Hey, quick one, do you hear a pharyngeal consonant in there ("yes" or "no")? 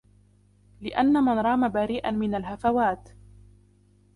no